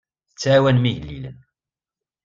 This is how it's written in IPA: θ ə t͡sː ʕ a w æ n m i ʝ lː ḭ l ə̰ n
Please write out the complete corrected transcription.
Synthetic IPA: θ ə t͡sː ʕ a w æ n m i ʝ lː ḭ l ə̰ n

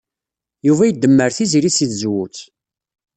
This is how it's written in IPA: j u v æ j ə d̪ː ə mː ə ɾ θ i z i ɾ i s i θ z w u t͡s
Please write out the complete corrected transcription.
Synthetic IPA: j u v æ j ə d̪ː ə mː ə ɾ θ i z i ɾ i s i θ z w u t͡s

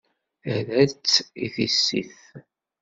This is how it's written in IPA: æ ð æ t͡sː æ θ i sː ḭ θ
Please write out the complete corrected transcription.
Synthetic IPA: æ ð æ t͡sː i θ i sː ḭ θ

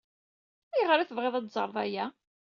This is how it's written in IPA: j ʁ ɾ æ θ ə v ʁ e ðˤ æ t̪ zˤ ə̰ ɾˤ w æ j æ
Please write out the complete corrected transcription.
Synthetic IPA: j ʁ ɾ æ θ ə v ʁ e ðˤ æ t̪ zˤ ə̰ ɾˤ v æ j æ

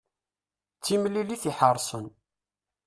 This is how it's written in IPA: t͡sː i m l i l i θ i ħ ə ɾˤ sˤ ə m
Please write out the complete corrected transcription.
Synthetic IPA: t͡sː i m l i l i θ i ħ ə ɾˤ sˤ ə n

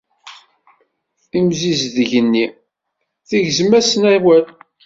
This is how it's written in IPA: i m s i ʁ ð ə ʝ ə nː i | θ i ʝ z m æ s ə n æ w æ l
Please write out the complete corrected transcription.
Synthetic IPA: i m z i z ð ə ʝ ə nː i | θ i ʝ z m æ s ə n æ w æ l

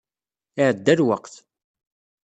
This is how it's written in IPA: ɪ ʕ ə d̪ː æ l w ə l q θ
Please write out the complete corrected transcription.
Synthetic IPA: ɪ ʕ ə d̪ː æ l w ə q θ

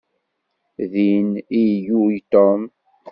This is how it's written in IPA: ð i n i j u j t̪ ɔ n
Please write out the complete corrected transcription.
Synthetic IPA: ð i n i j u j t̪ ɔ m

